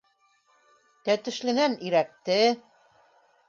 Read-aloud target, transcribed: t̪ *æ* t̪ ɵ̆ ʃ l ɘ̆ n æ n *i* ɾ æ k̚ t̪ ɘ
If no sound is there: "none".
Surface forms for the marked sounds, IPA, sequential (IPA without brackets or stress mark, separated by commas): æ, i